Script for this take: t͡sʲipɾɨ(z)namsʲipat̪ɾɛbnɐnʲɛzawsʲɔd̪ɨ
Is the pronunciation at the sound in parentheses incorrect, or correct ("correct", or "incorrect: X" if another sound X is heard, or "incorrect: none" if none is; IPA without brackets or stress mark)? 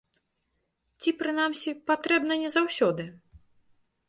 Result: incorrect: none